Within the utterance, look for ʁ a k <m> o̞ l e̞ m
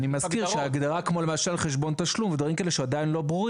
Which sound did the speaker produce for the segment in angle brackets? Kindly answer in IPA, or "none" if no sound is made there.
m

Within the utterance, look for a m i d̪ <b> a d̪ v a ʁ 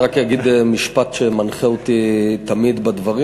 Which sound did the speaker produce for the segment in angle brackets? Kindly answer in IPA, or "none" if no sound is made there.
b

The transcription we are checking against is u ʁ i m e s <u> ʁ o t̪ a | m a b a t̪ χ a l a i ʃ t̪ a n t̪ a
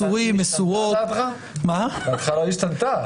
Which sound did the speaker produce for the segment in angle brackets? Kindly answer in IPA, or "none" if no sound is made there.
u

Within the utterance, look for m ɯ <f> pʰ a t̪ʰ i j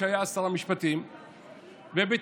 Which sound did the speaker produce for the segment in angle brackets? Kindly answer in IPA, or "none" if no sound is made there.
ʃ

